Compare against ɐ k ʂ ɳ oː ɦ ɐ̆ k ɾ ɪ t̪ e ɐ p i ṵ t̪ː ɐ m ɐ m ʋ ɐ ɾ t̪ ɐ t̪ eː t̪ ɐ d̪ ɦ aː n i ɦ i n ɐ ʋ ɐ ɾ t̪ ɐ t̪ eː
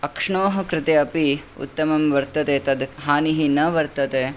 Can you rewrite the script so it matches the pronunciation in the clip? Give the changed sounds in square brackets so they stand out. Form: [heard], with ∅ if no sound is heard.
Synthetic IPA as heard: ɐ k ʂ ɳ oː ɦ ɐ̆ k ɾ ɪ t̪ e ɐ p i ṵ t̪ː ɐ m ɐ m ʋ ɐ ɾ t̪ ɐ t̪ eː t̪ ɐ d̪ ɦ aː n i ɦ i n ɐ ʋ ɐ ɾ t̪ ɐ t̪ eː